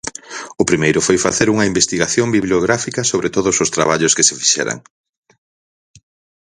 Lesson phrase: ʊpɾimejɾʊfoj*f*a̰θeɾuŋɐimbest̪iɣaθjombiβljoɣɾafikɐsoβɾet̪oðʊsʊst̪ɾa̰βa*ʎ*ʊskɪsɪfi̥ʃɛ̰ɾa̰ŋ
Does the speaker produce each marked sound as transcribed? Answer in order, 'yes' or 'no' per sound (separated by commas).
yes, yes